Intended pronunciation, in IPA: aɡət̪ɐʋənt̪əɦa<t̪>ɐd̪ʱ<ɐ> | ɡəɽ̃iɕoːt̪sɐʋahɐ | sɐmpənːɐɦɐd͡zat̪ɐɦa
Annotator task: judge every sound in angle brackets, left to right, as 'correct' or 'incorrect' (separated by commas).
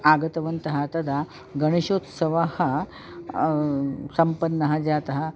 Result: correct, incorrect